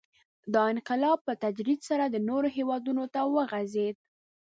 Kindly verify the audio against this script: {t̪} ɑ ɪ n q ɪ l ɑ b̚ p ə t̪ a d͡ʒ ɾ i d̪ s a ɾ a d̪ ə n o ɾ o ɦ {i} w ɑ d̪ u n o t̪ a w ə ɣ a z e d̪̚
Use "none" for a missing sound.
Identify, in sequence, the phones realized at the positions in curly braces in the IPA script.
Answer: d̪, e

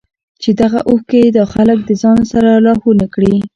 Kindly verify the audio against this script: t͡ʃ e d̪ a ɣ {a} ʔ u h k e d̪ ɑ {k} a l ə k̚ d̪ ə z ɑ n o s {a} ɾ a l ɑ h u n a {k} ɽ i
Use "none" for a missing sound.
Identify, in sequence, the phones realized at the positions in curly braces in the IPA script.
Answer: a, x, a, k

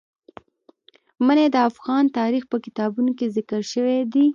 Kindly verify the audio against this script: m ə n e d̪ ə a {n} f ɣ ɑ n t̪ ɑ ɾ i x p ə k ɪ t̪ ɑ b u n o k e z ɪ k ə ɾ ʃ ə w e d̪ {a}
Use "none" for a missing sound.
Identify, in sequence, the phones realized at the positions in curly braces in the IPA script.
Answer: none, i

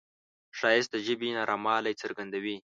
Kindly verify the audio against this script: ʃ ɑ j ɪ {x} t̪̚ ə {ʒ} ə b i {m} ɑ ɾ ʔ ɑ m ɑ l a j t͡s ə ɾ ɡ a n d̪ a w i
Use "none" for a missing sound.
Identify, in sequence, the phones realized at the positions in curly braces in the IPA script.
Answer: s, ʒ, n

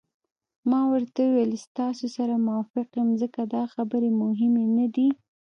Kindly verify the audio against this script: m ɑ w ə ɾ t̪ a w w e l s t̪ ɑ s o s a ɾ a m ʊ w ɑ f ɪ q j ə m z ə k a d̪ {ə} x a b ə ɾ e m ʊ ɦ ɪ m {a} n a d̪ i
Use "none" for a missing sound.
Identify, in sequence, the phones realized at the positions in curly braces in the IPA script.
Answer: ɑ, e

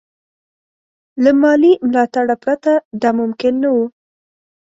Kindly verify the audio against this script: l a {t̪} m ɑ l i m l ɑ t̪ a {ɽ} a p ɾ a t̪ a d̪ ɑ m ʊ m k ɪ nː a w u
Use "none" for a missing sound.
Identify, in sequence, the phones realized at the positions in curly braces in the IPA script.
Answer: none, ɽ

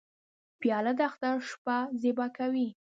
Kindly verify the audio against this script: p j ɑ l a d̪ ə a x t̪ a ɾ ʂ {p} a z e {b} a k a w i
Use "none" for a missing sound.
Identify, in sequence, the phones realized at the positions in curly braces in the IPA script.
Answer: p, b

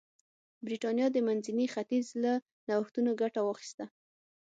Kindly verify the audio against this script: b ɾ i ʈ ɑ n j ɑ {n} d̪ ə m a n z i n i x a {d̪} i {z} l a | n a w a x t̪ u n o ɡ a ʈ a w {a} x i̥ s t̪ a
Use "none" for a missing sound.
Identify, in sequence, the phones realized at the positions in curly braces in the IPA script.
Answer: none, t̪, z, ɑ

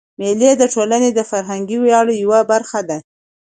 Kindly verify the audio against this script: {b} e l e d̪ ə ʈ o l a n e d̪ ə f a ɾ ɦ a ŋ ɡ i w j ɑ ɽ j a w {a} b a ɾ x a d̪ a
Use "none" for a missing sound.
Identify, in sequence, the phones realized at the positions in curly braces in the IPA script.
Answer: m, a

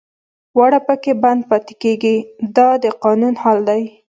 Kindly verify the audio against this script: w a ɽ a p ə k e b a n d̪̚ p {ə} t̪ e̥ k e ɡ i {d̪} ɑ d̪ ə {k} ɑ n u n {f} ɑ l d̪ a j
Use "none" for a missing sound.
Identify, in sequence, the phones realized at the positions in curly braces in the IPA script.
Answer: ɑ, d̪, q, h

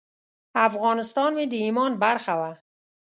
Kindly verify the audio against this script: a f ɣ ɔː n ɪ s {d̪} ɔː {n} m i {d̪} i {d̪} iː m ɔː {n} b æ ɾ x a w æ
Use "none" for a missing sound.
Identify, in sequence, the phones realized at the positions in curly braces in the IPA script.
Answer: t̪, n, d̪, none, n

